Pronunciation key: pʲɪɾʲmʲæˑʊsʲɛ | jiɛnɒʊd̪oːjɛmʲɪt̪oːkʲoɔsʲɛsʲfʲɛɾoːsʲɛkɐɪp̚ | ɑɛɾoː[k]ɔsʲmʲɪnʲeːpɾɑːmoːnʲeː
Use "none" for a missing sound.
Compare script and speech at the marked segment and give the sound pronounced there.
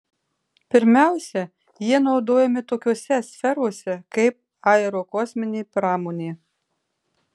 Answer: k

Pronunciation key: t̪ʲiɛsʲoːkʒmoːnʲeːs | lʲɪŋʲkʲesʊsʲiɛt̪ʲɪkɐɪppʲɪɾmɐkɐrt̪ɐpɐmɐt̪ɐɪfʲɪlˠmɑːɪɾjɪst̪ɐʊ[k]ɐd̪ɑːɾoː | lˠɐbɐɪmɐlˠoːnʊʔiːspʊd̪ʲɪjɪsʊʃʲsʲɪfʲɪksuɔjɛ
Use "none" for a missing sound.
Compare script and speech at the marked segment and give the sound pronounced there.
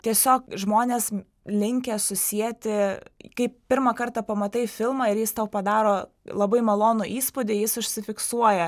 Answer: p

